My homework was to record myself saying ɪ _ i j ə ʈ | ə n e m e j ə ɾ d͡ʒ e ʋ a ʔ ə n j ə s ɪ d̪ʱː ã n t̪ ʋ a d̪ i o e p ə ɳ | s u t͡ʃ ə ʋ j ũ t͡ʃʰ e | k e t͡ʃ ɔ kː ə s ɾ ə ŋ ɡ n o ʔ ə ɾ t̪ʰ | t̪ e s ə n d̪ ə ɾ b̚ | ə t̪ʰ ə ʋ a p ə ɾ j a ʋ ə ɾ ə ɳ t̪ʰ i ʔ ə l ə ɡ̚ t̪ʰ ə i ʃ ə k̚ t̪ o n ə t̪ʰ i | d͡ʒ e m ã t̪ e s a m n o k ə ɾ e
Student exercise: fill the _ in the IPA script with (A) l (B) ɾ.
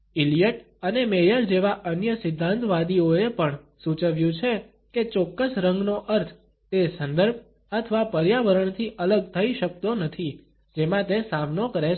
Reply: A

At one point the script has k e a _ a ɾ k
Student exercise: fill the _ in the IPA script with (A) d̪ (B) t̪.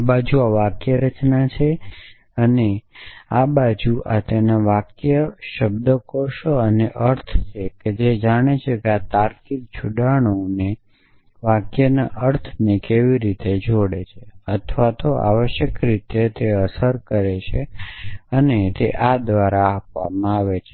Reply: B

